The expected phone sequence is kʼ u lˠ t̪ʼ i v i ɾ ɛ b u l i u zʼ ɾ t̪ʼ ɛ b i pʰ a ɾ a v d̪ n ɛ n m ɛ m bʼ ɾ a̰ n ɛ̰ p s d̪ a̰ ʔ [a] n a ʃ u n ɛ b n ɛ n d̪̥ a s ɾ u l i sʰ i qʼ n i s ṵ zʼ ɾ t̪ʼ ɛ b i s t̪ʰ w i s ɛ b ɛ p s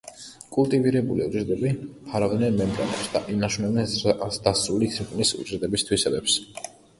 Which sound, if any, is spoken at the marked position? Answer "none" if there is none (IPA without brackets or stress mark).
i